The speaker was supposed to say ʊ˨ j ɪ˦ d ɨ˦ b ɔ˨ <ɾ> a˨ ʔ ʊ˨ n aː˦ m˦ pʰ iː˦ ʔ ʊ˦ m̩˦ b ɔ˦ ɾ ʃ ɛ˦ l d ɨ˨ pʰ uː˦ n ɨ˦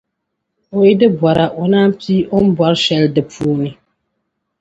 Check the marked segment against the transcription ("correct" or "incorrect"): correct